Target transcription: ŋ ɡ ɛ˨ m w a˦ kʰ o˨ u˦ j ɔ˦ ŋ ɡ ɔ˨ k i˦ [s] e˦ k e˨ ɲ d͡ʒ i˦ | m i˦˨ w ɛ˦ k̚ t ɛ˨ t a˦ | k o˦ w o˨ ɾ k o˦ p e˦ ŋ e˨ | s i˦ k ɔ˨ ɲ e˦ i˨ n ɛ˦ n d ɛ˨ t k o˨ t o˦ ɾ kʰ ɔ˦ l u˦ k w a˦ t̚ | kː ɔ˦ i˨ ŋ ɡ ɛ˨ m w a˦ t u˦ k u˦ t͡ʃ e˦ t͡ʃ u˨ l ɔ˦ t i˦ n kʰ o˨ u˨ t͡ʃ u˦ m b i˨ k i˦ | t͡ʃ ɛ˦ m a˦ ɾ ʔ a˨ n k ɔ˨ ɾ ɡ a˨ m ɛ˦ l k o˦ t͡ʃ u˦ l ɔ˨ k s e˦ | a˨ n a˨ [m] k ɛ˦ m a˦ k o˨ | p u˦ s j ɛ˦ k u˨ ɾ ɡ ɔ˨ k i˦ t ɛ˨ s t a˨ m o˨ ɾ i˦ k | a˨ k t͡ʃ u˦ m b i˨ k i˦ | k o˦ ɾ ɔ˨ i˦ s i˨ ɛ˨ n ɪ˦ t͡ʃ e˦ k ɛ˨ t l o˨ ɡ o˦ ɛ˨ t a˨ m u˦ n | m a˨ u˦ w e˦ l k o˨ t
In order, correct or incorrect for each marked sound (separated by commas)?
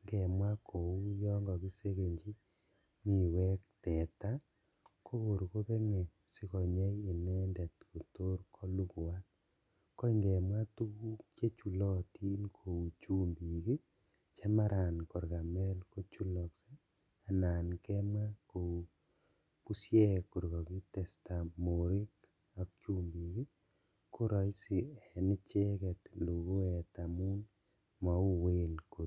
correct, incorrect